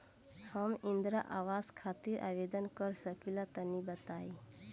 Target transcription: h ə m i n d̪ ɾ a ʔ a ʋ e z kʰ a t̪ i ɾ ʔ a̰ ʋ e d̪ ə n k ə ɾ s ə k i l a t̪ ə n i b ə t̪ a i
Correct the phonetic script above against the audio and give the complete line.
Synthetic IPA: h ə m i n d̪ ɾ a ʔ a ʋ a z kʰ a t̪ i ɾ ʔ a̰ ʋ e d̪ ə n k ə ɾ s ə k i l a t̪ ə n i b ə t̪ a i